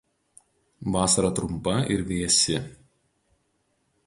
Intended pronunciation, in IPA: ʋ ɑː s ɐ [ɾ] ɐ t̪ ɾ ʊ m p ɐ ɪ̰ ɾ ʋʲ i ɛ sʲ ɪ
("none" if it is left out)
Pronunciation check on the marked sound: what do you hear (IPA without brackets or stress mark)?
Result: ɾ